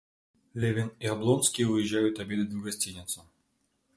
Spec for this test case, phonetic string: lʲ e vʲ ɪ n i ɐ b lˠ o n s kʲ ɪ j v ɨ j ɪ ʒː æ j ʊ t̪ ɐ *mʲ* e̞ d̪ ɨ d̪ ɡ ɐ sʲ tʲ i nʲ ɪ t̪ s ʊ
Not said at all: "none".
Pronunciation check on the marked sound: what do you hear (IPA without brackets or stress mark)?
bʲ